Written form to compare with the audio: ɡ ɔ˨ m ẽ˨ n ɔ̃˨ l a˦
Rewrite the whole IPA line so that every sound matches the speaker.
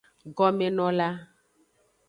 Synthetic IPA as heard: ɡ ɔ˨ m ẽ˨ n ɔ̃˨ l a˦